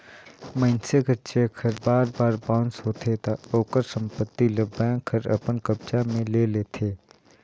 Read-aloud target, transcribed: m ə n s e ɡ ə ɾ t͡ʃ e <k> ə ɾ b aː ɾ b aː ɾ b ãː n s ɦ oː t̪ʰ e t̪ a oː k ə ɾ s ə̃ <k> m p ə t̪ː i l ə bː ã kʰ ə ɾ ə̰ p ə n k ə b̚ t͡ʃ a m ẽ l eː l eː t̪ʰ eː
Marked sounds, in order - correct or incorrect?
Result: incorrect, incorrect

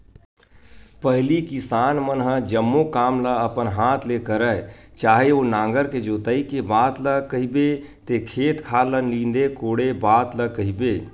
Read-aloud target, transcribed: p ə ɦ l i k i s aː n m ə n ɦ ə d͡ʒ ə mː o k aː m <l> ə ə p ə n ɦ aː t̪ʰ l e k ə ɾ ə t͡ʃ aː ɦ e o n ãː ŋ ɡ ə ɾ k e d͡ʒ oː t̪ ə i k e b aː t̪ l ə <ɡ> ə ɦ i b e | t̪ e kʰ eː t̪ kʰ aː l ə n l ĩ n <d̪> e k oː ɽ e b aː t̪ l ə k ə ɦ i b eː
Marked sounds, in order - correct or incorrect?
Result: correct, incorrect, correct

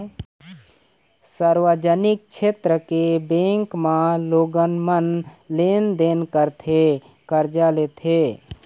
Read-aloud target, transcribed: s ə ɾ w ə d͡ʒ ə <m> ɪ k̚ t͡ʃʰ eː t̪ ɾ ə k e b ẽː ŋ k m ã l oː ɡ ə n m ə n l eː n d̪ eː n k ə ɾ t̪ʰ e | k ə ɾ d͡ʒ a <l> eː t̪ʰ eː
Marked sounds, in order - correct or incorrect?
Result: incorrect, correct

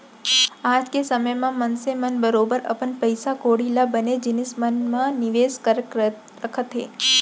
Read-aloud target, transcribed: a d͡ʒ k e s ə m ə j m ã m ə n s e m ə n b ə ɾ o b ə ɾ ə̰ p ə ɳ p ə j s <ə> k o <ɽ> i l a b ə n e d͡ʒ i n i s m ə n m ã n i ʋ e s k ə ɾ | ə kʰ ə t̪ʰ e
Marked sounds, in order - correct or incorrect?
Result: incorrect, correct

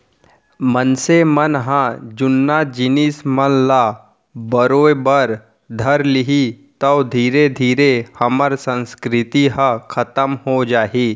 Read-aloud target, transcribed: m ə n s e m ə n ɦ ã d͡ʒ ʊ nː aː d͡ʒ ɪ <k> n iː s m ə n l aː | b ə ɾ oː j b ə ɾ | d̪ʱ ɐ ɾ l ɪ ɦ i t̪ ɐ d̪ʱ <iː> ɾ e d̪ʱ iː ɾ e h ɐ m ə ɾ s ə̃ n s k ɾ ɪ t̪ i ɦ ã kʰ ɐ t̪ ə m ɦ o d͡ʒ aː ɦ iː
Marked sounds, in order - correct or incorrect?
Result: incorrect, correct

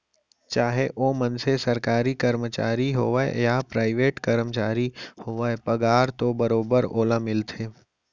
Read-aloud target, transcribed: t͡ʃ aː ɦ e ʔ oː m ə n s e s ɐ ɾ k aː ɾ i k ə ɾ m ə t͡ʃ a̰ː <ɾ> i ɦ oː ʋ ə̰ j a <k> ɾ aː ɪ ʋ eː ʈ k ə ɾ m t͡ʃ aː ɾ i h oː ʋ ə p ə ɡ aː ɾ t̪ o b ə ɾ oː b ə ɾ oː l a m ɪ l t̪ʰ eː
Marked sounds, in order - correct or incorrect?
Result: correct, incorrect

